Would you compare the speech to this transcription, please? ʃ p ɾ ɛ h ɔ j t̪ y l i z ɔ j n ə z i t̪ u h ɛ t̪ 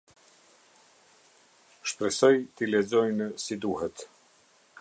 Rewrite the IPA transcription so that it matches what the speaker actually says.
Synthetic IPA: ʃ p ɾ ɛ s ɔ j t̪ i l ɛ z ɔ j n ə s i d̪ u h ɛ t̪